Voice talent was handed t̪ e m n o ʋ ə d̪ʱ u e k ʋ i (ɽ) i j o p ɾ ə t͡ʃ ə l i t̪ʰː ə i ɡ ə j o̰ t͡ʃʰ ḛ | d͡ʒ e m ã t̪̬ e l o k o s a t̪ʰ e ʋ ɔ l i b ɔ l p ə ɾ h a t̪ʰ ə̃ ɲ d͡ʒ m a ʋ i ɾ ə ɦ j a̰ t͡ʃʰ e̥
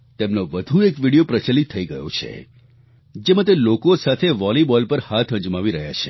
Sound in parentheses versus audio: correct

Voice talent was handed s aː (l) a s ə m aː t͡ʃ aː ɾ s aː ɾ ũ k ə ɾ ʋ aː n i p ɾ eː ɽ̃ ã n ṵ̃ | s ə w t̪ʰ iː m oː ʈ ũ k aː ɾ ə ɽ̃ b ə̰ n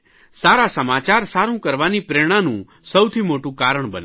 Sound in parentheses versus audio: incorrect: ɾ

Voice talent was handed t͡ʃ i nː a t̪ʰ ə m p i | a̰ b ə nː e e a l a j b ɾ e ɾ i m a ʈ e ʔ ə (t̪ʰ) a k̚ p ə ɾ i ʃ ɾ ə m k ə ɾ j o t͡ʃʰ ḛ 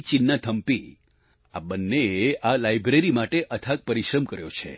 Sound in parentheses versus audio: correct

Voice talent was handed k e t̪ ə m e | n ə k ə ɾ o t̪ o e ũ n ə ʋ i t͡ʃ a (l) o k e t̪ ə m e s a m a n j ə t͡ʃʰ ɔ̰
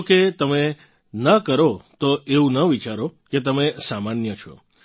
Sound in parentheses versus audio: incorrect: ɾ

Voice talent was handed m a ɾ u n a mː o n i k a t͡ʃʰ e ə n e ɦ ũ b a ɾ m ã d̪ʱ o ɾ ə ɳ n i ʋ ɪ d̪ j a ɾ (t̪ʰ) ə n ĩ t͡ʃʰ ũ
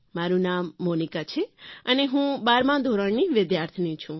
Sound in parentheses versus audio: correct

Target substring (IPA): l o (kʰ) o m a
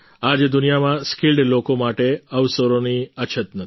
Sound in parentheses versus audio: incorrect: k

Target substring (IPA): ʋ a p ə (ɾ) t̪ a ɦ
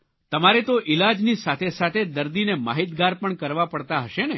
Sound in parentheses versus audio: incorrect: ɽ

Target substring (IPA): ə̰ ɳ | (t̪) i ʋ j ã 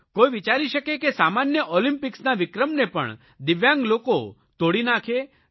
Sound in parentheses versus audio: incorrect: d̪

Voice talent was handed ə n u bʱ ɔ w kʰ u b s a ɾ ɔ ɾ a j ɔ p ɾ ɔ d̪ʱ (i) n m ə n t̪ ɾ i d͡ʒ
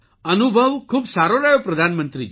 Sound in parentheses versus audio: incorrect: a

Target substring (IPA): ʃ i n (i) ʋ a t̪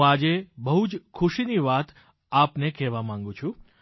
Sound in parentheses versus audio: correct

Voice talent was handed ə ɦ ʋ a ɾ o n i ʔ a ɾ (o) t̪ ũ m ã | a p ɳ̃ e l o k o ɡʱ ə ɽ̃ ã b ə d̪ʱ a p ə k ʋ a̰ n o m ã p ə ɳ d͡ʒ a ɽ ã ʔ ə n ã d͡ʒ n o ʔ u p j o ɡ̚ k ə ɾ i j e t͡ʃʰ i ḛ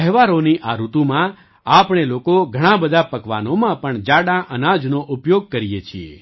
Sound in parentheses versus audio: incorrect: u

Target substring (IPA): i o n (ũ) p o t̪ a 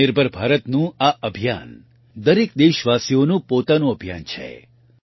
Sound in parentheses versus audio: correct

